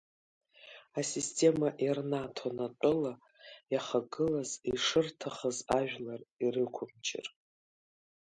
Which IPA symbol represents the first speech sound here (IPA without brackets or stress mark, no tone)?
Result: a